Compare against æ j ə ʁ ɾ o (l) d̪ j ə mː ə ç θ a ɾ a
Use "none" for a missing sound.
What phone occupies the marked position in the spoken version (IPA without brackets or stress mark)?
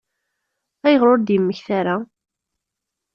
ɾ